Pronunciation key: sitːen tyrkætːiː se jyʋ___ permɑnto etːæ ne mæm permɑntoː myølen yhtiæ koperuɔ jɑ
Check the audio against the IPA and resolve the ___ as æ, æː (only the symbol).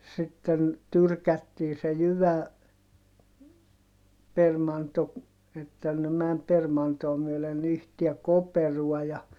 æ